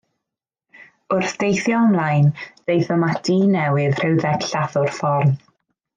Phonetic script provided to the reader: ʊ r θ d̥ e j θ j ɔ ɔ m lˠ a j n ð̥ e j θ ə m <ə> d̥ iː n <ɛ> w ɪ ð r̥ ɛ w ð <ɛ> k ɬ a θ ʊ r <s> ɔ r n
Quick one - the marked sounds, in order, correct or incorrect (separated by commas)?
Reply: incorrect, correct, correct, incorrect